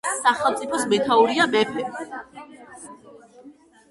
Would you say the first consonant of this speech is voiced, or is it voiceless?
voiceless